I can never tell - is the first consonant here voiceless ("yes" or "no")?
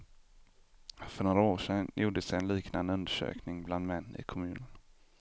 yes